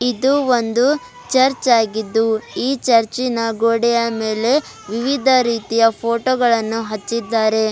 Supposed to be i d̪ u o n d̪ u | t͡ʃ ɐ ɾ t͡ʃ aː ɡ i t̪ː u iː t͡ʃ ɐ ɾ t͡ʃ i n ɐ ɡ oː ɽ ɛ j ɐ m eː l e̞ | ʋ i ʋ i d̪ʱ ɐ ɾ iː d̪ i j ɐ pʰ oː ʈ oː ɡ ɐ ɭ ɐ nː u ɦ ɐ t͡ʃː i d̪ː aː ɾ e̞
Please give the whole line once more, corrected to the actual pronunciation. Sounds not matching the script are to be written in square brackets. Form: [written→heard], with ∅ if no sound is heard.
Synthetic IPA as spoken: i d̪ u o n d̪ u | t͡ʃ ɐ ɾ t͡ʃ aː ɡ i [t̪ː→d̪ː] u iː t͡ʃ ɐ ɾ t͡ʃ i n ɐ ɡ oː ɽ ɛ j ɐ m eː l e̞ | ʋ i ʋ i d̪ʱ ɐ ɾ iː [d̪→t̪] i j ɐ pʰ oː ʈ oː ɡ ɐ ɭ ɐ nː u ɦ ɐ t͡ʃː i d̪ː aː ɾ e̞